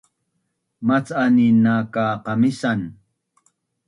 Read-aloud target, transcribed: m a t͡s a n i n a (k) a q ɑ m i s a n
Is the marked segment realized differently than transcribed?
no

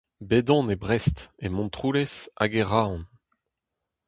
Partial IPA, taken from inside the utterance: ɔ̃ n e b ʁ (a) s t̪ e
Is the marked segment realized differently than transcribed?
yes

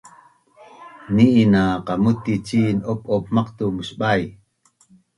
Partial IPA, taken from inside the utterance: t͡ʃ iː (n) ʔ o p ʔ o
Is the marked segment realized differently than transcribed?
no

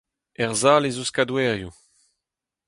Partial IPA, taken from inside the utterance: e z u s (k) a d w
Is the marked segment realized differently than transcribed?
no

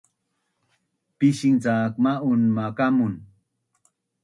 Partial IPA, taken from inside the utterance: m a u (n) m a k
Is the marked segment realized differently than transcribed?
no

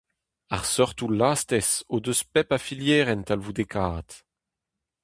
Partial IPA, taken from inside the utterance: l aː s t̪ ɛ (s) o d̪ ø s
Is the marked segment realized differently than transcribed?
no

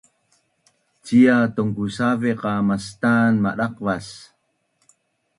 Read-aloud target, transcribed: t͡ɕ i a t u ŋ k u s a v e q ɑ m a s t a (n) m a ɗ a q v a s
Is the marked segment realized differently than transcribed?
no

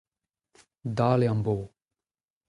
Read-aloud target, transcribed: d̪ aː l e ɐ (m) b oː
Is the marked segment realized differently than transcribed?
no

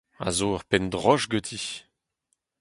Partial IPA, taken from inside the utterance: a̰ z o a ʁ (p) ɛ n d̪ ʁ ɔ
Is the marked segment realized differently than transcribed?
no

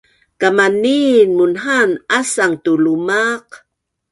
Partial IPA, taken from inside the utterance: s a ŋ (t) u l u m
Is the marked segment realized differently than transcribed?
no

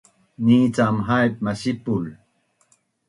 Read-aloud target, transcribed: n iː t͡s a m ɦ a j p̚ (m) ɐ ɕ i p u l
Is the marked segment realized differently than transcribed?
no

